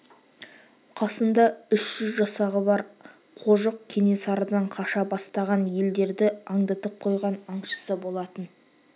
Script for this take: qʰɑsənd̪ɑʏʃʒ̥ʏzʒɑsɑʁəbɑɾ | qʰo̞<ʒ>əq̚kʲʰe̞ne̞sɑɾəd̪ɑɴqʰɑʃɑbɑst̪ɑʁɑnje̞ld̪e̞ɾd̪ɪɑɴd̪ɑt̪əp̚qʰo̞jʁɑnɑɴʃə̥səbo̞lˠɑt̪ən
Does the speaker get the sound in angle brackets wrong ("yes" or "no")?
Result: no